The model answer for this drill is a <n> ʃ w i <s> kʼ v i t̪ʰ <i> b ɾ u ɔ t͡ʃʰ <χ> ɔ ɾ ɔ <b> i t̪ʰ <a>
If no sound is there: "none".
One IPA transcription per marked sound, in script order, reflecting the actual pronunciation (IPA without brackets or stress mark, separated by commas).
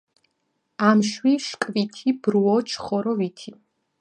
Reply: m, ʃ, i, χ, v, i